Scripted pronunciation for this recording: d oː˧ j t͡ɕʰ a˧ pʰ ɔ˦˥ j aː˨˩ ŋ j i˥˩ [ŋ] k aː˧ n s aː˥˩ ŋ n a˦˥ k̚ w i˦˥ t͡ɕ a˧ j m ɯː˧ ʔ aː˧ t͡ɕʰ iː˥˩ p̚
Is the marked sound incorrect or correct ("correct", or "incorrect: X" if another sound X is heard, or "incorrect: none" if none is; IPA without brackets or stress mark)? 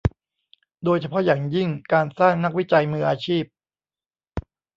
correct